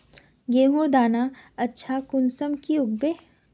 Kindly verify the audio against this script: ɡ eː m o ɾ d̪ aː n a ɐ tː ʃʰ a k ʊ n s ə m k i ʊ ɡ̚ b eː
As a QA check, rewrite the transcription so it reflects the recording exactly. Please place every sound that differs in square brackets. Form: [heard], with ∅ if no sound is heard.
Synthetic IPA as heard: ɡ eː m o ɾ d̪ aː n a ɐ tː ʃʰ a k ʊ n s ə m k i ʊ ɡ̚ b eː